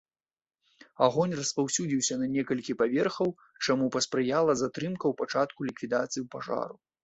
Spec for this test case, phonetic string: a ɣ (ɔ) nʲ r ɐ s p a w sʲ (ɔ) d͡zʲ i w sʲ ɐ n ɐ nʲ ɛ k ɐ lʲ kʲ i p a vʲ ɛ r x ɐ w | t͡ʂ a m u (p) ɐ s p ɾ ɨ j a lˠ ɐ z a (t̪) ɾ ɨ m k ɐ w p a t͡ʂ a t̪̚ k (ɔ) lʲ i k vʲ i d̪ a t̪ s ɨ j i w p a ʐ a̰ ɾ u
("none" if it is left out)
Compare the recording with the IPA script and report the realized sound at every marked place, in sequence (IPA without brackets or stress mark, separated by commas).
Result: ɔ, u, p, t̪, u